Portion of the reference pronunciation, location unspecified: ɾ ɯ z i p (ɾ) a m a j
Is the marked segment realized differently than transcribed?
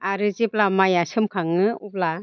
yes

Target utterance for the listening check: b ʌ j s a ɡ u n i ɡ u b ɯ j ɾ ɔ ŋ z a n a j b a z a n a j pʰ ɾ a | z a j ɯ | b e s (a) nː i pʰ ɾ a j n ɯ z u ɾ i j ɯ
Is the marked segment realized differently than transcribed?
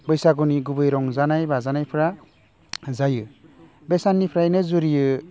no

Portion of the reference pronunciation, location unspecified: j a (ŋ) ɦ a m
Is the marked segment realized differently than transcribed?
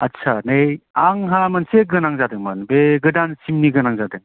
no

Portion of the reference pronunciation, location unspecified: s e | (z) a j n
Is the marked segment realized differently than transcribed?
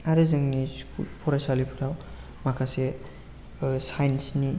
yes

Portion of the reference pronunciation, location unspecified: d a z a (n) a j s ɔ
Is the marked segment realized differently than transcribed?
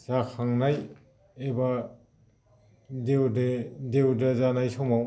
no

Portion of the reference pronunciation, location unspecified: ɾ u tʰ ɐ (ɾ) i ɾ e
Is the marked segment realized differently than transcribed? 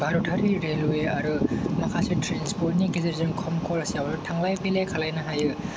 no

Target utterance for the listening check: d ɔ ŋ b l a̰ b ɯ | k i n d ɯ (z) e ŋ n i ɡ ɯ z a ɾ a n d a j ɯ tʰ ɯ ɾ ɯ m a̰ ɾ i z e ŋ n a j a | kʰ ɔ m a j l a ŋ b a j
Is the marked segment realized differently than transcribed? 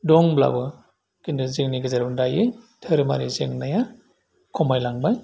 no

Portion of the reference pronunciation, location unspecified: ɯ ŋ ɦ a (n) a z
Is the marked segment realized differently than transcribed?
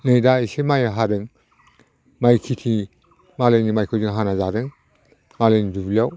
no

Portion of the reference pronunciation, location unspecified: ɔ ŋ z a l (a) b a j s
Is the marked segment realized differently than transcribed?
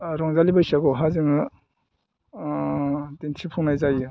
yes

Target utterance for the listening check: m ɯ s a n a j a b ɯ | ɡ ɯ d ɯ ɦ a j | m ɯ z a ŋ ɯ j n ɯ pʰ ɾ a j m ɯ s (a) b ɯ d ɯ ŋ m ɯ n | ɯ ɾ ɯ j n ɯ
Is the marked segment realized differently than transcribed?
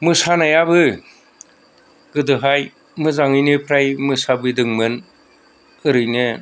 no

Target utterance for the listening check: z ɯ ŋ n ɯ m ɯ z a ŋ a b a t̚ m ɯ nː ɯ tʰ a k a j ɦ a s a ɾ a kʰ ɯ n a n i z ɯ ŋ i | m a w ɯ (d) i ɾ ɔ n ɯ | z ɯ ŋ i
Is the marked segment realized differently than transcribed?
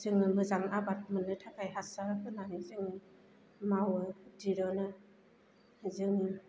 no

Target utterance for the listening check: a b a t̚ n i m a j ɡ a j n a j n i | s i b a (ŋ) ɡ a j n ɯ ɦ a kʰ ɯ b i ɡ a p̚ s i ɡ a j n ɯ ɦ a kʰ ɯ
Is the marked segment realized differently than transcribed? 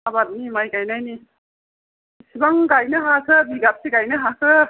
no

